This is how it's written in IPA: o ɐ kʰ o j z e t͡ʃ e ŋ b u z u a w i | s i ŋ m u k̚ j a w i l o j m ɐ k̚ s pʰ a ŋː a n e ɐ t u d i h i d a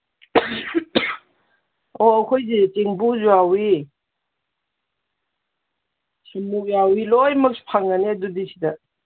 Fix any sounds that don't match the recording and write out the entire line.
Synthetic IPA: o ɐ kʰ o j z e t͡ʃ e ŋ b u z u a w i | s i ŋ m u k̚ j a w i l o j m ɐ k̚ s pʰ a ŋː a n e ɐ d u d i s i d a